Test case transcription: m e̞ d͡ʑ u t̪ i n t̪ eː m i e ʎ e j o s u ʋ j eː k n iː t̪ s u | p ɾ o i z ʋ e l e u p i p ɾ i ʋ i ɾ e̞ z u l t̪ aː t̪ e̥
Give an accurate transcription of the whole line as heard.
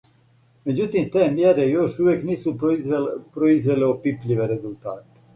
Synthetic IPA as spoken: m e̞ d͡ʑ u t̪ i m t̪ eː m j e ɾ e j o ʃ u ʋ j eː k n iː s u | p ɾ o i z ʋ e l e o p i p ʎ i ʋ e ɾ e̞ z u l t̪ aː t̪ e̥